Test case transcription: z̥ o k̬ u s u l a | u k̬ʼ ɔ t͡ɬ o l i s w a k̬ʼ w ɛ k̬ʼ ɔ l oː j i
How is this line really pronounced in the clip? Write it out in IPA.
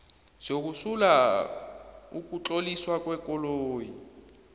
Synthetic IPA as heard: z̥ o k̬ u s u l a | u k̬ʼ u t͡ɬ o l i s w a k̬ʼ w ɛ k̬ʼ ɔ l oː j i